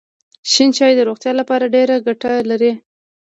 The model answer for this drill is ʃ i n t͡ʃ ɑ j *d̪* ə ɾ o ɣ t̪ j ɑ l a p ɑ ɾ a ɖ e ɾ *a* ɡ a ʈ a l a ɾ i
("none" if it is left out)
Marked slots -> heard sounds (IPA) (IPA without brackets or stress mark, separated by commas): d̪, a